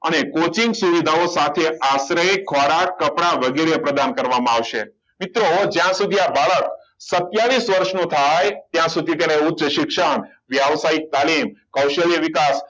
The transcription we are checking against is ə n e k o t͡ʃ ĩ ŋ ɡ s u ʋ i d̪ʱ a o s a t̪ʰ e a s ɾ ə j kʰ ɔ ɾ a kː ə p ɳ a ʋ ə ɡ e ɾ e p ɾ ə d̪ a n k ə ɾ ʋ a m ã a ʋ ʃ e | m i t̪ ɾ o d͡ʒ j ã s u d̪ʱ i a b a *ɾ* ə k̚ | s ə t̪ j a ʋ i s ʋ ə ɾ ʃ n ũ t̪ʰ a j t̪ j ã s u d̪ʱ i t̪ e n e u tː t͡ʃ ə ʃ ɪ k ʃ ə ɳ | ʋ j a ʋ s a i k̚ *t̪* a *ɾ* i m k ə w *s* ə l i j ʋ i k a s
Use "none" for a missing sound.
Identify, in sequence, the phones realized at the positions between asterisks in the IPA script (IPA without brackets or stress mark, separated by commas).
ɭ, t̪, l, ʃ